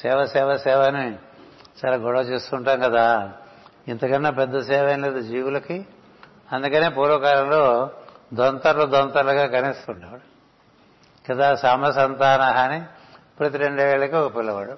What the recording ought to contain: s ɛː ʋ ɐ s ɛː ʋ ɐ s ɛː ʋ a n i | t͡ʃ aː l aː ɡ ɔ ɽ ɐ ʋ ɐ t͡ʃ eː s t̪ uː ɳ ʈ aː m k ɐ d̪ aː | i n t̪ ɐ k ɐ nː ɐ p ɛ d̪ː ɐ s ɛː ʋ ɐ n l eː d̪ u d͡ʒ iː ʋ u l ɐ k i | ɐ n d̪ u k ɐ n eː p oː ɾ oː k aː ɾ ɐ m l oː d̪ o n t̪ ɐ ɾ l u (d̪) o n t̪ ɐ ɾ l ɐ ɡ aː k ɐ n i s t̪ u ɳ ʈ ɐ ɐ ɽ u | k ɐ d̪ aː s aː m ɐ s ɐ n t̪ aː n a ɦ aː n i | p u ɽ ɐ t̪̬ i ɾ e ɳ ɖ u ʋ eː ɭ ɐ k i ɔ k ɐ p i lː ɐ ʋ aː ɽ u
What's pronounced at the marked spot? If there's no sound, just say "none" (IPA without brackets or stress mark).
d̪